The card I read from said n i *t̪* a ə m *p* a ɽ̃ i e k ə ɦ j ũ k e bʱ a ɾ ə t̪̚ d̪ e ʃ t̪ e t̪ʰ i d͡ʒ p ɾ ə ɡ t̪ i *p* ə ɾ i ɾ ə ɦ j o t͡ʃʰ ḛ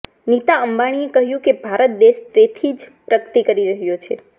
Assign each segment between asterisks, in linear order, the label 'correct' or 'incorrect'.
correct, incorrect: b, incorrect: k

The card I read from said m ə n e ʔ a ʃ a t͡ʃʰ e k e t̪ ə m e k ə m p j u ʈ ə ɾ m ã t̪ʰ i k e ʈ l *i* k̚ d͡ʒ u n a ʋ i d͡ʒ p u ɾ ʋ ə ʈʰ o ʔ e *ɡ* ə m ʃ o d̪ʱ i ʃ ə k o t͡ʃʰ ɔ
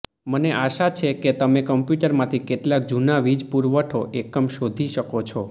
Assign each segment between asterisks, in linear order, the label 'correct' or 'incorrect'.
incorrect: a, incorrect: k

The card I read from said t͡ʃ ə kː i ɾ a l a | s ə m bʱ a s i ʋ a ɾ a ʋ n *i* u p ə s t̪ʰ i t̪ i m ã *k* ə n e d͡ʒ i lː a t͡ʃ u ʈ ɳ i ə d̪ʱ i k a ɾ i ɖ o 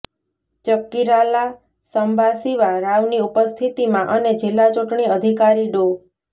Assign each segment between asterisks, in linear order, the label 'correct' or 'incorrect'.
correct, incorrect: ʔ

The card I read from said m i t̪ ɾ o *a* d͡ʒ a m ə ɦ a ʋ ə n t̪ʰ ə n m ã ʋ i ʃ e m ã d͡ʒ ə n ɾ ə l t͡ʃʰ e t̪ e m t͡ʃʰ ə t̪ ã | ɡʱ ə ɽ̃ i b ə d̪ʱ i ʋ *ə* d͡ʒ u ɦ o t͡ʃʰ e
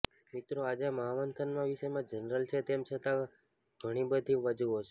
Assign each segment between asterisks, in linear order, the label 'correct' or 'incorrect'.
correct, correct

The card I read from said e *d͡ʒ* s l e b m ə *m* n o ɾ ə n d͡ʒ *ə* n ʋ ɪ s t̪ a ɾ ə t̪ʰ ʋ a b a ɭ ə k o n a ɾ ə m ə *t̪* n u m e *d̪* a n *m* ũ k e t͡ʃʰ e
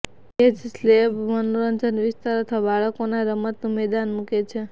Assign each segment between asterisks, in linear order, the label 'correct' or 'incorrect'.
correct, incorrect: none, correct, correct, correct, correct

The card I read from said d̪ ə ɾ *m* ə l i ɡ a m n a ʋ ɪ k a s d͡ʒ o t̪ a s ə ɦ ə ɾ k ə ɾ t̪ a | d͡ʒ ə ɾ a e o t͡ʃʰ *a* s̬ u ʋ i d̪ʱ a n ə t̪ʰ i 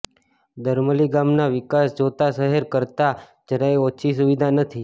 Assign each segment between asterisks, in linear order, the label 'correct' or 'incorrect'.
correct, incorrect: i

